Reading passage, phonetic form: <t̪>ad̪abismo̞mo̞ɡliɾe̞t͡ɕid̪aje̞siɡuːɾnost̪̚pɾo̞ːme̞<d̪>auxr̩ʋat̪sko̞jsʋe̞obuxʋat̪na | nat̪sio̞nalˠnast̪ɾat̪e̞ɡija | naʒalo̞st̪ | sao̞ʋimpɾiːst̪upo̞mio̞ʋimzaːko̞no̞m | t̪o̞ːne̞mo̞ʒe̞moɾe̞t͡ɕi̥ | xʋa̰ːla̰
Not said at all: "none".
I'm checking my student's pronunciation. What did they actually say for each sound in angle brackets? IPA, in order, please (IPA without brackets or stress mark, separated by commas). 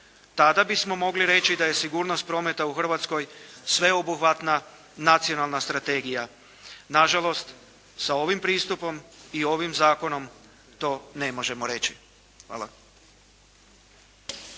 t̪, t̪